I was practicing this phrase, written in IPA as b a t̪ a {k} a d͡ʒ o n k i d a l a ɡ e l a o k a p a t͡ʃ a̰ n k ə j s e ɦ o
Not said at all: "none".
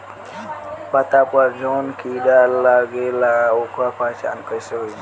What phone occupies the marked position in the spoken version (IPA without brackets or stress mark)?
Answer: p